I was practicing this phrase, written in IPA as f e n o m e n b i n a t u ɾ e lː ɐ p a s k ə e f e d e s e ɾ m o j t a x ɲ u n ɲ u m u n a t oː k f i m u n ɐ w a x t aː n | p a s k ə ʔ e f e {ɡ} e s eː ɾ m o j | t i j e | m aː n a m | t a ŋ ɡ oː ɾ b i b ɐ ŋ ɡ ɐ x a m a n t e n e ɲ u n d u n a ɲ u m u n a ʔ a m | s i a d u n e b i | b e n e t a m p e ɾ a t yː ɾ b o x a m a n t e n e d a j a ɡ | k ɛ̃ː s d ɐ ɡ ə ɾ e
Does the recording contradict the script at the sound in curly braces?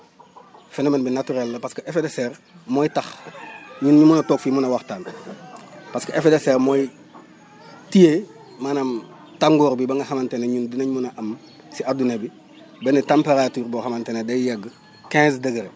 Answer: yes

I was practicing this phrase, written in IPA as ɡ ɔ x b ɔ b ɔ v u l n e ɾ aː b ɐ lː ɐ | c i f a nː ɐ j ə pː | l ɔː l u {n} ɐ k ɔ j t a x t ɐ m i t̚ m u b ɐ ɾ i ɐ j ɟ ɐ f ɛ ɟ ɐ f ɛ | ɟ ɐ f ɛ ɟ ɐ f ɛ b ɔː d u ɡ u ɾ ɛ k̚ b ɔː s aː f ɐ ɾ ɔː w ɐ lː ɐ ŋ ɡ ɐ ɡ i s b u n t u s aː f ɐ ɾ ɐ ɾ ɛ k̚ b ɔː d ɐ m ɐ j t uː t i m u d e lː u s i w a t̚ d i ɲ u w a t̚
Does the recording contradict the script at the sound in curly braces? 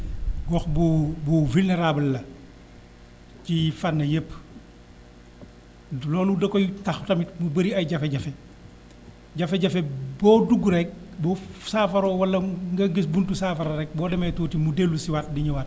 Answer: yes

